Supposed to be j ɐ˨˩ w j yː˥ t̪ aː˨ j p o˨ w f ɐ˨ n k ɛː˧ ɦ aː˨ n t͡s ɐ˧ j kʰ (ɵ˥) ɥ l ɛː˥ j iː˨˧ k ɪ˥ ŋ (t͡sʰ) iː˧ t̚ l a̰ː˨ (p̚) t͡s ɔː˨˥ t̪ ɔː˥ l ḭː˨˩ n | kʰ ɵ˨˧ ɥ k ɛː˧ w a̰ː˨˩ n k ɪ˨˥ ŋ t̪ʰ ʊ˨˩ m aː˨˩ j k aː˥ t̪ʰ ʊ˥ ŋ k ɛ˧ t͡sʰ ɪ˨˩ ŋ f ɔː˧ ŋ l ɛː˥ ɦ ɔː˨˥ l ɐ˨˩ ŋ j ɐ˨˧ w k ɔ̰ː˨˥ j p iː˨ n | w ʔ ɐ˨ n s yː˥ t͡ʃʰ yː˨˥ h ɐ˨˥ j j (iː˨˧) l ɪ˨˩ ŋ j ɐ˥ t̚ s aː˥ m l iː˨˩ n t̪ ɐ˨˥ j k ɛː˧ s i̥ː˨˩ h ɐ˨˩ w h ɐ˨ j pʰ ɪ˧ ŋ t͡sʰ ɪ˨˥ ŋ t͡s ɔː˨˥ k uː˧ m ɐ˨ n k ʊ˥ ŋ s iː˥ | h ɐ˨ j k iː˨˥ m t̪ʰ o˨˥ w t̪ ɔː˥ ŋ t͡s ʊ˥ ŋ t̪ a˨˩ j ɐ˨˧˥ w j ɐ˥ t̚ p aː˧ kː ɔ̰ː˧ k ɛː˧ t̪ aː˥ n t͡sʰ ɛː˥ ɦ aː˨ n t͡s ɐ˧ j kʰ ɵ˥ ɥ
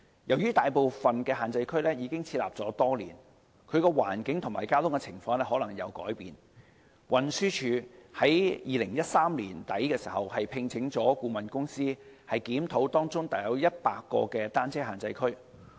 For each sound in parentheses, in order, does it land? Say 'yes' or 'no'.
yes, yes, yes, yes

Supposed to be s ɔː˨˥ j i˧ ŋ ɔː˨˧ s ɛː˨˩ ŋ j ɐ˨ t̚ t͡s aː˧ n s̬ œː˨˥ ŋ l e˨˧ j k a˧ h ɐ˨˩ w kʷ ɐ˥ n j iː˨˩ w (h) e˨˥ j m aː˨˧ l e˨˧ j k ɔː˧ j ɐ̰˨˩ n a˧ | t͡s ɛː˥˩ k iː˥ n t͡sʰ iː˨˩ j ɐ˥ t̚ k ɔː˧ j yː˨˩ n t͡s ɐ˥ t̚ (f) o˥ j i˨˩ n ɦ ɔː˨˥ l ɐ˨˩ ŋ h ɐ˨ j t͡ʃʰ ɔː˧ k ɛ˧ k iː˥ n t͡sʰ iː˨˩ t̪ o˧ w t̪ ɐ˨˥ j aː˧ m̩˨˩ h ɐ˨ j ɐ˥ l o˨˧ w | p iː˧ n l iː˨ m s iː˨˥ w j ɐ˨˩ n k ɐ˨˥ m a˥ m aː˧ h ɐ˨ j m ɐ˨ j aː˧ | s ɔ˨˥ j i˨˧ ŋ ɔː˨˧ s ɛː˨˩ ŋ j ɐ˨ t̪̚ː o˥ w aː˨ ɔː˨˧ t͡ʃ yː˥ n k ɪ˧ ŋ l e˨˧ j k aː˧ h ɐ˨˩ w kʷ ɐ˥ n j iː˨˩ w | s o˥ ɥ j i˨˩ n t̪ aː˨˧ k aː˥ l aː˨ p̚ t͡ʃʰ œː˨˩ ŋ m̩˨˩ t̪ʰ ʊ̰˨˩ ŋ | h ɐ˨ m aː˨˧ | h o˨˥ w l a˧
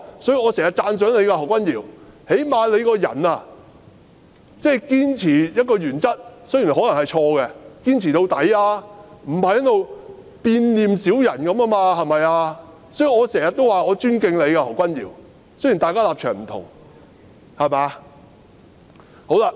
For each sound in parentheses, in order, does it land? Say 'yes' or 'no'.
yes, no

